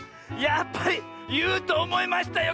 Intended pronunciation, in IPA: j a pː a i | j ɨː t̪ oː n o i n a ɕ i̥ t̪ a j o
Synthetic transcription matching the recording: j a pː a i | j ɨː t̪ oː m o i m a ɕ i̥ t̪ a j o